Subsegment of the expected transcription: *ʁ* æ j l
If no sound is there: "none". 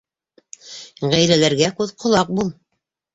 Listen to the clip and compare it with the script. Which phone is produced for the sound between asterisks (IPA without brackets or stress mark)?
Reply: ʁ